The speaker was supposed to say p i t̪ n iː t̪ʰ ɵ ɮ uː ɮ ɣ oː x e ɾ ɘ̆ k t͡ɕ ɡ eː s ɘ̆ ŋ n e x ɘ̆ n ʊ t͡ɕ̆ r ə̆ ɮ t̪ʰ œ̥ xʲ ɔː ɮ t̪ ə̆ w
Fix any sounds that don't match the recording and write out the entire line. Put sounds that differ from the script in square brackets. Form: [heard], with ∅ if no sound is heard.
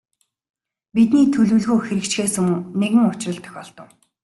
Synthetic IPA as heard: p i t̪ n iː t̪ʰ ɵ ɮ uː ɮ ɣ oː x e ɾ ɘ̆ k t͡ɕ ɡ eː s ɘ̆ ŋ n e [ɣ] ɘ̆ [ŋ] ʊ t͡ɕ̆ r ə̆ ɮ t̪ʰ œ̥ xʲ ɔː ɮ t̪ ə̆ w

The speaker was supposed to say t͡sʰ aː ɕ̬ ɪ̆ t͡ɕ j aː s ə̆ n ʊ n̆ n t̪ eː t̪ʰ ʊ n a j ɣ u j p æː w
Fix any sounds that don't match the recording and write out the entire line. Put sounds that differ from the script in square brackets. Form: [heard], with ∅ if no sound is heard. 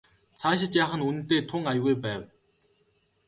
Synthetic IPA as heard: t͡sʰ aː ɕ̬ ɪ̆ t͡ɕ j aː [χ] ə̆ n [u] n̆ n t̪ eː t̪ʰ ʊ [ŋ] a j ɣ u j p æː w

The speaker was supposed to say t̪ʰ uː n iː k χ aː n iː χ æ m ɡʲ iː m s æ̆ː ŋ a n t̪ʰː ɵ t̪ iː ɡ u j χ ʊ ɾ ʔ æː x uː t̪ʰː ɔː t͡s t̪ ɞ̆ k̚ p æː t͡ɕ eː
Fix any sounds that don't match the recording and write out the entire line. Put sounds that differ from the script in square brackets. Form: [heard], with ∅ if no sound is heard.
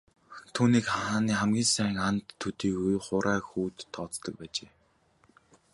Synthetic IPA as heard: t̪ʰ uː n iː k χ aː n iː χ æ m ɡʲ iː [n] s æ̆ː ŋ a n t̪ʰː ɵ t̪ iː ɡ u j χ ʊ ɾ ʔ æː x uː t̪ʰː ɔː t͡s t̪ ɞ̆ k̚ p æː t͡ɕ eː

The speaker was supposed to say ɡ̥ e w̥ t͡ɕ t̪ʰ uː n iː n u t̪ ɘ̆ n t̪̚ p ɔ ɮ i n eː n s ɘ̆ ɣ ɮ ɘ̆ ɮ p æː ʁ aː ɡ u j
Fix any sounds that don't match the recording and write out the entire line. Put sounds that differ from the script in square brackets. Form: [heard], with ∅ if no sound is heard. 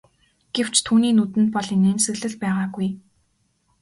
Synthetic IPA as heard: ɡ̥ e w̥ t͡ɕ t̪ʰ uː n iː n u t̪ ɘ̆ n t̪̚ p ɔ ɮ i n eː n s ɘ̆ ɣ ɮ ɘ̆ ɮ p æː ʁ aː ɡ u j

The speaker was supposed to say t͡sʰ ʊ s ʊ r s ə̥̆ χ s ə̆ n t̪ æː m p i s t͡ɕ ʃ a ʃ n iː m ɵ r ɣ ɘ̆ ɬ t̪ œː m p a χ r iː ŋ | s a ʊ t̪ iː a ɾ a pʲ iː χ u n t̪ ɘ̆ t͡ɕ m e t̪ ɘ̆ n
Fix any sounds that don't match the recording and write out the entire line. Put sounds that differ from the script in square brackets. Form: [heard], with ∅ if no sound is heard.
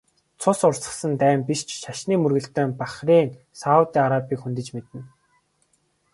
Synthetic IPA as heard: t͡sʰ ʊ s ʊ r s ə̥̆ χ s ə̆ n t̪ æː m p i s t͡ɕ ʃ a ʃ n iː m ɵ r ɣ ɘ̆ ɬ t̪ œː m p a χ r iː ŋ | s a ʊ t̪ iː a ɾ a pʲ iː [x] u n t̪ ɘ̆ t͡ɕ m e t̪ ɘ̆ n

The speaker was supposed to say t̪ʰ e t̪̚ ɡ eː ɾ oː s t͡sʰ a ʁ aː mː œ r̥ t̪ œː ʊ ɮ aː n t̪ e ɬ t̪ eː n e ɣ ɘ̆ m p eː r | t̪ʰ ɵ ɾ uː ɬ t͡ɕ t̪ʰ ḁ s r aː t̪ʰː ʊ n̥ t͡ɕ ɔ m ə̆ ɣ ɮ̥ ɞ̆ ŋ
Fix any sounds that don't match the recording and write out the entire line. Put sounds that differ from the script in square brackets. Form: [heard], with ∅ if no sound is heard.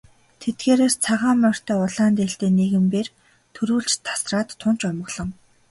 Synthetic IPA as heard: t̪ʰ e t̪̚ ɡ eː ɾ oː s t͡sʰ a ʁ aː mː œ r̥ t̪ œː ʊ ɮ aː n t̪ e ɬ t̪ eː n e ɣ ɘ̆ m p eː r | t̪ʰ ɵ ɾ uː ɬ t͡ɕ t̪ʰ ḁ s r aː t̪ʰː ʊ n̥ t͡ɕ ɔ m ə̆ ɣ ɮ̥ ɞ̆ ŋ

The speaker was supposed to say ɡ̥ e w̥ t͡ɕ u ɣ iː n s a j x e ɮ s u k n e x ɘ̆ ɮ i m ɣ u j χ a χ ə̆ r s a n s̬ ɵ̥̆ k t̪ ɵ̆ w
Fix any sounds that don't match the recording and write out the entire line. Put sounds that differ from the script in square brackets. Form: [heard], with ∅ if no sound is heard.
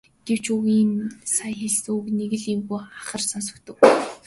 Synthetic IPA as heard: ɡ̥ e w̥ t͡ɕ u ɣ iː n s a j x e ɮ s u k n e [ɣ] ɘ̆ ɮ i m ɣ u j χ a χ ə̆ r s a n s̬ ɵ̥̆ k t̪ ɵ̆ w

